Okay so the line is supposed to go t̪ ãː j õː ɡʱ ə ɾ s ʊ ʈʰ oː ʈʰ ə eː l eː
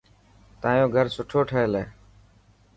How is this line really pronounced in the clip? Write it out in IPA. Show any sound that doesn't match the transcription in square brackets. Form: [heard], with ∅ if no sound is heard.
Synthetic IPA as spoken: t̪ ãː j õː ɡʱ ə ɾ s ʊ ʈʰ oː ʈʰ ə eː l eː

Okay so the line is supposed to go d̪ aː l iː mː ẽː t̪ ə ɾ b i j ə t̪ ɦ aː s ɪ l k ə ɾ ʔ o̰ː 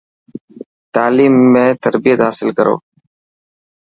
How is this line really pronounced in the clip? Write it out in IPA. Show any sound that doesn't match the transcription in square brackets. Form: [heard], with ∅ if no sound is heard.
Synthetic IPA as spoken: [t̪] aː l iː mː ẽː t̪ ə ɾ b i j ə t̪ ɦ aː s ɪ l k ə ɾ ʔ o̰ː

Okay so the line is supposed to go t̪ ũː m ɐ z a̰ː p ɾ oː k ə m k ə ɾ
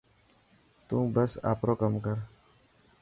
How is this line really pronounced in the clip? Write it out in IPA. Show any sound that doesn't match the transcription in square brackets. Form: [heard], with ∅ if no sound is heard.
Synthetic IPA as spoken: t̪ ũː [b] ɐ [s] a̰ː p ɾ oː k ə m k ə ɾ

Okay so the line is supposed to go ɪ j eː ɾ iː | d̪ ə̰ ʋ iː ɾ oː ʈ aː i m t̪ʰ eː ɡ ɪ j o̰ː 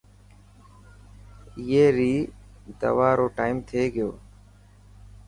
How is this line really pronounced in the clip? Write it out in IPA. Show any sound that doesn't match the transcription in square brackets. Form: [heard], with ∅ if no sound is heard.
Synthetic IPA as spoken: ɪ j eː ɾ iː | d̪ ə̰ ʋ [aː] ɾ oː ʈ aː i m t̪ʰ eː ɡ ɪ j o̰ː

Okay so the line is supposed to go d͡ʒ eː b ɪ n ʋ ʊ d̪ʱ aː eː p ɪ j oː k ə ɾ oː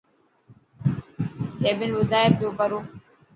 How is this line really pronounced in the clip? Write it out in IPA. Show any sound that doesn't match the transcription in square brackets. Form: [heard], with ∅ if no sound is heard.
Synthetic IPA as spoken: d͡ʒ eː b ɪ n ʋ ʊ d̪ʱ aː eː p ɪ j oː k ə ɾ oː

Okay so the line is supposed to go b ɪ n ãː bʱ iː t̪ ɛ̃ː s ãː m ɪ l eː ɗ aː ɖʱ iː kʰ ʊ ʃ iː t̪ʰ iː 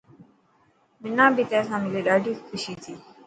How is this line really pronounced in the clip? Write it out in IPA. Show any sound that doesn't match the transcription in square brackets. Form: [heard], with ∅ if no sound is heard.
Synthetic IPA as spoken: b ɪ n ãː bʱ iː t̪ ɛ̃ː s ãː m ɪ l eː ɗ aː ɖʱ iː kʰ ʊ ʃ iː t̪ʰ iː

